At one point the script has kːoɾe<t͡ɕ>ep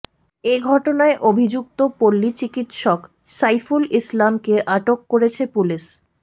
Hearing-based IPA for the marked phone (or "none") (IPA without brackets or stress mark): t͡ɕʰ